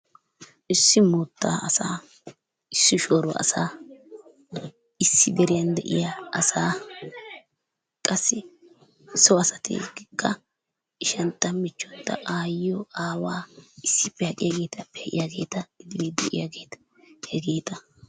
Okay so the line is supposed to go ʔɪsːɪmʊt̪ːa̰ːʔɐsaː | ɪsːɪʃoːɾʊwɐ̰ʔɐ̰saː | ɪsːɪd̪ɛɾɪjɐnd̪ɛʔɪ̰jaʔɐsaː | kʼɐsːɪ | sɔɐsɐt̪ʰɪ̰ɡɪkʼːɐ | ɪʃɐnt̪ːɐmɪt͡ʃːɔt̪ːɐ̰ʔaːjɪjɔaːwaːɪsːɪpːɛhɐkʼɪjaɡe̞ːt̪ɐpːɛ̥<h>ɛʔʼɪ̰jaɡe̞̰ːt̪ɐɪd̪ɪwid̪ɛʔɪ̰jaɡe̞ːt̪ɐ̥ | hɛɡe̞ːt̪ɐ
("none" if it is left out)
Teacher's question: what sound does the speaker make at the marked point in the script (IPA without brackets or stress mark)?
h